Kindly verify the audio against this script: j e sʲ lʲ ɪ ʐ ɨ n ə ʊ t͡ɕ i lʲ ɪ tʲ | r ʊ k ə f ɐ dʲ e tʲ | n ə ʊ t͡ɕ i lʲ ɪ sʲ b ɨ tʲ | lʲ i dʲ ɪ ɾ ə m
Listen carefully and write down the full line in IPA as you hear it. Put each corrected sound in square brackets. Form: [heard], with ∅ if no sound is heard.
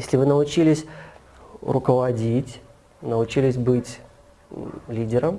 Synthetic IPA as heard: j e sʲ lʲ ɪ [v] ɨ n ə ʊ t͡ɕ i lʲ ɪ [sʲ] | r ʊ k ə [v] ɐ dʲ [i] tʲ | n ə ʊ t͡ɕ i lʲ ɪ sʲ b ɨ tʲ | lʲ i dʲ ɪ ɾ ə m